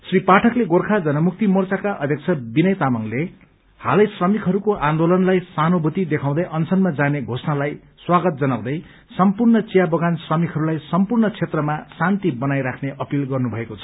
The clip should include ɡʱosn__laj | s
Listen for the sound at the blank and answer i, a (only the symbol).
a